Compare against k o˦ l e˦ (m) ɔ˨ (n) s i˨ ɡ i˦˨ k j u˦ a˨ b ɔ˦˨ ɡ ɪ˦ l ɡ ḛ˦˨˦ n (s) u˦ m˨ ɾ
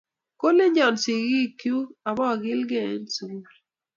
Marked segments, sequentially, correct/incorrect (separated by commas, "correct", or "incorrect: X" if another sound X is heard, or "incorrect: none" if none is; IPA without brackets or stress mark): incorrect: ɲ, correct, correct